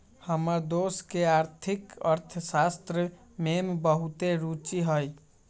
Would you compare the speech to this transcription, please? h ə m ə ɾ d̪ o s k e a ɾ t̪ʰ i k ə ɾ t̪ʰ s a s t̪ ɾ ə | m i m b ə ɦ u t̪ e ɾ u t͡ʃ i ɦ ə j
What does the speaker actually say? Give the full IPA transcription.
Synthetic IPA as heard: h ə m ə ɾ d̪ o s k e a ɾ t̪ʰ i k ə ɾ t̪ʰ s a s t̪ ɾ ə | m e m b ə ɦ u t̪ e ɾ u t͡ʃ i ɦ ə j